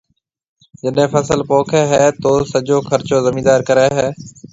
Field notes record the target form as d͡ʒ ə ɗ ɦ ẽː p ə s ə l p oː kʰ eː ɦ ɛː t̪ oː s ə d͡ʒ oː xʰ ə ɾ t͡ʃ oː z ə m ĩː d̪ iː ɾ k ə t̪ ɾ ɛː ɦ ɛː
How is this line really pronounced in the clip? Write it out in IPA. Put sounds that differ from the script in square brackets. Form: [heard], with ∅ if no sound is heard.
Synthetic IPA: d͡ʒ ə ɗ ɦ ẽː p ə s ə l p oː kʰ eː ɦ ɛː t̪ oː s ə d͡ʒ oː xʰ ə ɾ t͡ʃ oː z ə m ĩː d̪ [aː] ɾ k ə [∅] ɾ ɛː ɦ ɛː